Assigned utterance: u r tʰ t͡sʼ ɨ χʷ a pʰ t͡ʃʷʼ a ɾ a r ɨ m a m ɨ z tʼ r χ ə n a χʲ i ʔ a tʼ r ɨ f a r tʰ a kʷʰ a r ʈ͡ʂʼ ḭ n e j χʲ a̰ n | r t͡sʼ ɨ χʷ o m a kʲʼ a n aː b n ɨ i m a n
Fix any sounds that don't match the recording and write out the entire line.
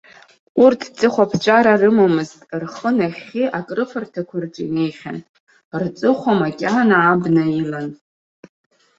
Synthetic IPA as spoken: u r tʰ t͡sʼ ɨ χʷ a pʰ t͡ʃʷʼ a ɾ a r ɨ m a m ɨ z tʼ r χ ə n a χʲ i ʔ a kʼ r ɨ f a r tʰ a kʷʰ a r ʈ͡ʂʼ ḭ n e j χʲ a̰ n | r t͡sʼ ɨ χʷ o m a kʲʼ a n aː b n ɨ i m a n